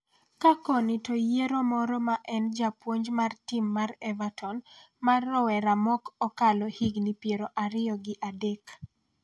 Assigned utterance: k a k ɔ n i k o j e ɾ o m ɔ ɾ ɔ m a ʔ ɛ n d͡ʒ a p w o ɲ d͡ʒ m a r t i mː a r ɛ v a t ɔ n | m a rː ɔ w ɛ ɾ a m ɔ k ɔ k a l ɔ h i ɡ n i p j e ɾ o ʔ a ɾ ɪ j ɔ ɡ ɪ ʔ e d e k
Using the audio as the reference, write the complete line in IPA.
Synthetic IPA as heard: k a k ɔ n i t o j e ɾ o m ɔ ɾ ɔ m a ʔ ɛ n d͡ʒ a p w o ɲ d͡ʒ m a r t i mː a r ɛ v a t ɔ n | m a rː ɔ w ɛ ɾ a m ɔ k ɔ k a l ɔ h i ɡ n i p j e ɾ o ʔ a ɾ ɪ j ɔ ɡ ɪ ʔ a d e k